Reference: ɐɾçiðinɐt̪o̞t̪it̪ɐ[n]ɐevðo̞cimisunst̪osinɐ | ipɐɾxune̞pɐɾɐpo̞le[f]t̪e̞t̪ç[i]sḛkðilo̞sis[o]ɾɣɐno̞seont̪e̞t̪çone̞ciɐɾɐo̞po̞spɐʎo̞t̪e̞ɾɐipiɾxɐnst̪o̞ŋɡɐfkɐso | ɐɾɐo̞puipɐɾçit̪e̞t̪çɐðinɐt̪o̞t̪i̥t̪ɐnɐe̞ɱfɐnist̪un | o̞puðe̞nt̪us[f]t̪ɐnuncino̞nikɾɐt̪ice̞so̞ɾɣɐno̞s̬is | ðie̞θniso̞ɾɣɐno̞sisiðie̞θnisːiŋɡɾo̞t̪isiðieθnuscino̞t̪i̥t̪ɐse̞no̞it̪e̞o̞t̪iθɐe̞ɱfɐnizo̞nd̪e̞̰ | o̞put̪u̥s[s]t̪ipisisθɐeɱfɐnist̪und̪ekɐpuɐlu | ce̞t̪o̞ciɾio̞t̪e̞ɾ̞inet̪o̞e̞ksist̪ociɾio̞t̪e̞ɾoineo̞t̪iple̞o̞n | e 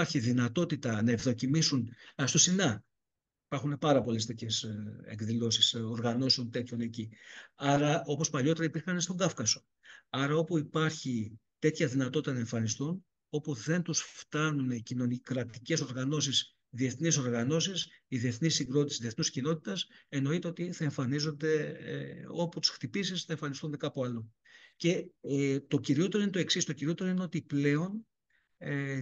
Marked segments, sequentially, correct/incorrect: correct, incorrect: s, incorrect: e, correct, correct, incorrect: x

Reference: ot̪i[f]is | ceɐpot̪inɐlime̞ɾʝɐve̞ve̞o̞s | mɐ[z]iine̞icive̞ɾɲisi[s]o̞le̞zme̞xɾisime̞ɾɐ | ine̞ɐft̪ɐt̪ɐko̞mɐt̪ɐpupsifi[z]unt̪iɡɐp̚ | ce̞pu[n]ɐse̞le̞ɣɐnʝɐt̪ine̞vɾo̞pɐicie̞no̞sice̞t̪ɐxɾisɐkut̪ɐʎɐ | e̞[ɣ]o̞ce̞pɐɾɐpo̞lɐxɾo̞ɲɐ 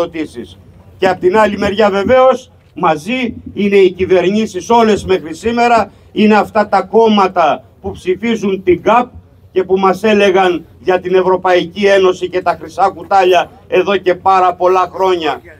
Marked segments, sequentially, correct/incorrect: incorrect: s, correct, correct, correct, incorrect: m, incorrect: ð

